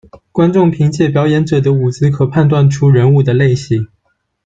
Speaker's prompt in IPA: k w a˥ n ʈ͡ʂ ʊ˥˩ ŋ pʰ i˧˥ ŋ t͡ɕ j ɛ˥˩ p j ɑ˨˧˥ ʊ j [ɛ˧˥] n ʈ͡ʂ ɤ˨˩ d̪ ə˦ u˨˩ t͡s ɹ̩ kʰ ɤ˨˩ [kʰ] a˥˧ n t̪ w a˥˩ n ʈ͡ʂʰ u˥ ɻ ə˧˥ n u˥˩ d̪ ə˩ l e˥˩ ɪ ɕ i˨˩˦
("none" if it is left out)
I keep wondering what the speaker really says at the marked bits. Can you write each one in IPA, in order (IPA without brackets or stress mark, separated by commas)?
ɛ˧˥, pʰ